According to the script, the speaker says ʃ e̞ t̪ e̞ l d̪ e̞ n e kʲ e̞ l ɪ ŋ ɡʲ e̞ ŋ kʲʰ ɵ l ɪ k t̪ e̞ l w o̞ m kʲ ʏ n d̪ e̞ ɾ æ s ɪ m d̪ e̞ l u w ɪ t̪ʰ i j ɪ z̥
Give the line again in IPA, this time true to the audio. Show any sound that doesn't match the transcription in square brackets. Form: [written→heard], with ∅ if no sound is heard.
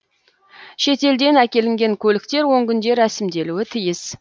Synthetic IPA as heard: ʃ e̞ t̪ e̞ l d̪ e̞ n [e→æ] kʲ e̞ l ɪ ŋ ɡʲ e̞ ŋ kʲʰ ɵ l ɪ k t̪ e̞ [l→ɾ] w o̞ [m→ŋ] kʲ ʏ n d̪ e̞ ɾ æ s ɪ m d̪ e̞ l u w ɪ t̪ʰ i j ɪ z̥